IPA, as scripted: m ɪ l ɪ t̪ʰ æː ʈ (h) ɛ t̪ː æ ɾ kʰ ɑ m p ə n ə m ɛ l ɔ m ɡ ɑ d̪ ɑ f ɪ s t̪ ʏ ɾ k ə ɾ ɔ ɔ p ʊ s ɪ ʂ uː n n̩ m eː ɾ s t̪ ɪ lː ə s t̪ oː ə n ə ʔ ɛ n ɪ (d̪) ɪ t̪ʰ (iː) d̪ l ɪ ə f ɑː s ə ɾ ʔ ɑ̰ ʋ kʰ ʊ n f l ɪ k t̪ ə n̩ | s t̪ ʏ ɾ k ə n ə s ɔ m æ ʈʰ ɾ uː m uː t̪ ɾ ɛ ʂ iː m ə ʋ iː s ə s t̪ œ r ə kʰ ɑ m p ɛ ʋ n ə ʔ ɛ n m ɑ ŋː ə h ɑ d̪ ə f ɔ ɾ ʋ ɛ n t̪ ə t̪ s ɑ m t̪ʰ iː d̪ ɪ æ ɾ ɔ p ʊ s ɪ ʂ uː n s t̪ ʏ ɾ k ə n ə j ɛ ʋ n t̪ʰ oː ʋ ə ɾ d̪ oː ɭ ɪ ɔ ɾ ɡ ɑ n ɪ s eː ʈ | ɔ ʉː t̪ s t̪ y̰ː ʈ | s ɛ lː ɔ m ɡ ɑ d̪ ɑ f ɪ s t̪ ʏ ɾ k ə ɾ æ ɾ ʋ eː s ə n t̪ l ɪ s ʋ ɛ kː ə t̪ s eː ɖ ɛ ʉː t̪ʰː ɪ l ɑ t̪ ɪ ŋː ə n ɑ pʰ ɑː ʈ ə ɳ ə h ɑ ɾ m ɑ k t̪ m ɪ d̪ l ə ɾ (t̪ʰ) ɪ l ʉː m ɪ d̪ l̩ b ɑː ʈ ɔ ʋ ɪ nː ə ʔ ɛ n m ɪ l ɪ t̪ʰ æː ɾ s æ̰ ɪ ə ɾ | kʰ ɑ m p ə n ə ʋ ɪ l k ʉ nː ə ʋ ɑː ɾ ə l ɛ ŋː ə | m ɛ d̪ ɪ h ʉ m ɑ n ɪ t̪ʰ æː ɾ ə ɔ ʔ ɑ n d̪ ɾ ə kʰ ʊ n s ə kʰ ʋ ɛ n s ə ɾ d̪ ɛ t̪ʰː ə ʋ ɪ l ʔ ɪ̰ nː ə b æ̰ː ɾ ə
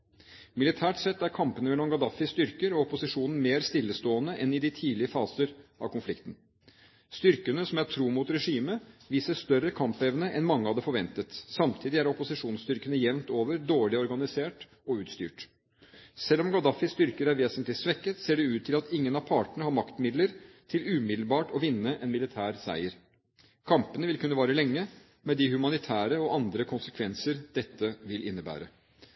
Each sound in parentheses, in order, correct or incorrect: incorrect, correct, correct, correct

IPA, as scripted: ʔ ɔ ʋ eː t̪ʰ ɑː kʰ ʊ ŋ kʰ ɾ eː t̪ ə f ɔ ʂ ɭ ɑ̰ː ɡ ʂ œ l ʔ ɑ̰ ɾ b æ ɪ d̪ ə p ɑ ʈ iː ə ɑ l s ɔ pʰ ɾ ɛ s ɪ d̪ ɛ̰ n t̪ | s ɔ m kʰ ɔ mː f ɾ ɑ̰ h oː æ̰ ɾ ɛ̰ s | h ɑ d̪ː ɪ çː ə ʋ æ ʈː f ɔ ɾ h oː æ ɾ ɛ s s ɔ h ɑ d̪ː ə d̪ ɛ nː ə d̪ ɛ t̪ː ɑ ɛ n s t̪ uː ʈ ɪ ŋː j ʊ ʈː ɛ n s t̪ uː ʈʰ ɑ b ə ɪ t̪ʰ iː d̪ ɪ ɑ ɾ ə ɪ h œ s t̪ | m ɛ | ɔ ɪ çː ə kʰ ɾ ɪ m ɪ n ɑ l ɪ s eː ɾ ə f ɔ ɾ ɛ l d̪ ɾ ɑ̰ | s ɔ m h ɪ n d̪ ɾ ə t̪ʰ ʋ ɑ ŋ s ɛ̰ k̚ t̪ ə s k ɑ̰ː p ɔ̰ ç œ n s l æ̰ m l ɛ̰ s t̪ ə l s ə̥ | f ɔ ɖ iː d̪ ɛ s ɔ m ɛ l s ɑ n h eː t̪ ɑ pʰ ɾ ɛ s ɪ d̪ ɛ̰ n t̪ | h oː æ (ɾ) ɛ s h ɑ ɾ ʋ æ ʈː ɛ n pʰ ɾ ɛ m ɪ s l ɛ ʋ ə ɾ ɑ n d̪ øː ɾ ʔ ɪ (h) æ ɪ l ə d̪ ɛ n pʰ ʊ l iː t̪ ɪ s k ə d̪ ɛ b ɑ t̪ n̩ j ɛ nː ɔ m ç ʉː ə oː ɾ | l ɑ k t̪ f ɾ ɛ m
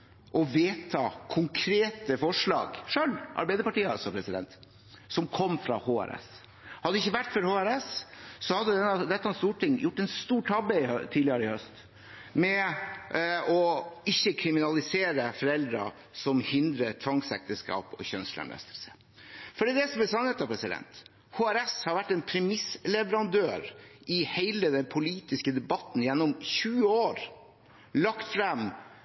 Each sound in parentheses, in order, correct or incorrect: correct, correct

